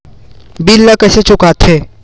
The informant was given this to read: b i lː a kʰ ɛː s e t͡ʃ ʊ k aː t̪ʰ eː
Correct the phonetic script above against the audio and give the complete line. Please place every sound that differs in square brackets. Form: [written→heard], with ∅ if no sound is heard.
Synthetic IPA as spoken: b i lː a [kʰ→k] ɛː s e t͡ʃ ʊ k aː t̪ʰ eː